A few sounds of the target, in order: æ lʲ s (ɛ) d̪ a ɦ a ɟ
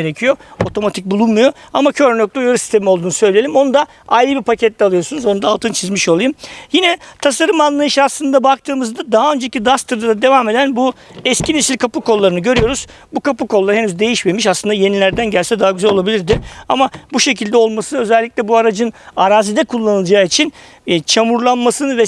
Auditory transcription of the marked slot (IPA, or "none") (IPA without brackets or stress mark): ɛ